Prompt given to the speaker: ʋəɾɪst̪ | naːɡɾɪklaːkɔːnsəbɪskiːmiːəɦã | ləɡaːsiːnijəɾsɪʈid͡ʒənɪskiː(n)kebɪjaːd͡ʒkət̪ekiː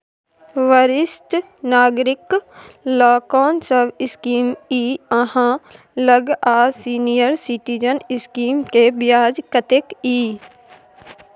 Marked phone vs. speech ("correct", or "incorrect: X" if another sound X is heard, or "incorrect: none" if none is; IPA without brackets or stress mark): incorrect: m